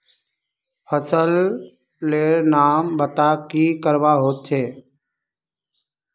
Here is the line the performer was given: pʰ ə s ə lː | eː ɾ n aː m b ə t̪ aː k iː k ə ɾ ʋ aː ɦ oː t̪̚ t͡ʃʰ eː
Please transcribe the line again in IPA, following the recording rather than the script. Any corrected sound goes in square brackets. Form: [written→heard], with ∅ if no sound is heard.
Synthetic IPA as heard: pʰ ə s ə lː | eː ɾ n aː m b ə t̪ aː k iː k ə ɾ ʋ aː ɦ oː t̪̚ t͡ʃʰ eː